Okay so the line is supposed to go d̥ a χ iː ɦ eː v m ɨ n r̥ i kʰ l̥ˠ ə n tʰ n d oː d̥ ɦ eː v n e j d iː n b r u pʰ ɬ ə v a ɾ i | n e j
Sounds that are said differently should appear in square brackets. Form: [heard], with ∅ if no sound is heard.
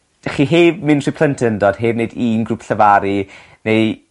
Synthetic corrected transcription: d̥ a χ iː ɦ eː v m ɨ n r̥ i [pʰ] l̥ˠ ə n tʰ n d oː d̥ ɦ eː v n e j d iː n [ɡ] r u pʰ ɬ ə v a ɾ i | n e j